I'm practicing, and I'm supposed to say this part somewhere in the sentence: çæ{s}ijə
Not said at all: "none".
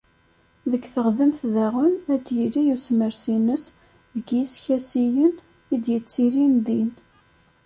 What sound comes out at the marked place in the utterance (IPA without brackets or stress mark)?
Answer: s